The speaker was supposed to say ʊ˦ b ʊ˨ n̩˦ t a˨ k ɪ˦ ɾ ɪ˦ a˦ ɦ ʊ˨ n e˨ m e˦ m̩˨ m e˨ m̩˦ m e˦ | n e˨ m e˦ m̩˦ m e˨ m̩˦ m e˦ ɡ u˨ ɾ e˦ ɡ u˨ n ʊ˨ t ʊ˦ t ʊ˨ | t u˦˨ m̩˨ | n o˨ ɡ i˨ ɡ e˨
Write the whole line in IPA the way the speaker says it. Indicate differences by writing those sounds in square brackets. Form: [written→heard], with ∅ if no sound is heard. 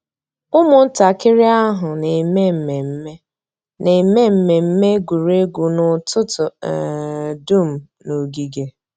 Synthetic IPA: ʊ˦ [b→m] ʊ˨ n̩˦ t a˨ k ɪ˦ ɾ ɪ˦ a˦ ɦ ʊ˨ n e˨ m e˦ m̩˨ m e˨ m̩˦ m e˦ | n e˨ m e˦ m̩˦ m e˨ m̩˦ m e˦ ɡ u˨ ɾ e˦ ɡ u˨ n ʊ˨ t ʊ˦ t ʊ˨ | [t→d] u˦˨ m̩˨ | n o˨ ɡ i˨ ɡ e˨